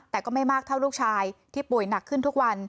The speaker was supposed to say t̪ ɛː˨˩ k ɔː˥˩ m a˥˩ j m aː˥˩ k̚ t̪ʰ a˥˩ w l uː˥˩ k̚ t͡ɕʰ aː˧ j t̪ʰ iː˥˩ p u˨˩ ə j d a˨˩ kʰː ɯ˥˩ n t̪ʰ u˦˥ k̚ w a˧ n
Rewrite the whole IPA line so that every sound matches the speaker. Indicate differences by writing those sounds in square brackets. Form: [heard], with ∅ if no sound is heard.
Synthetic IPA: t̪ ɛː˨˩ k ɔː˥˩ m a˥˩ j m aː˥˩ k̚ t̪ʰ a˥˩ w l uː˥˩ k̚ t͡ɕʰ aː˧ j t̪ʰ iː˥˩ p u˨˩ ə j [n] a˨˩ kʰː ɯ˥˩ n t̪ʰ u˦˥ k̚ w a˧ n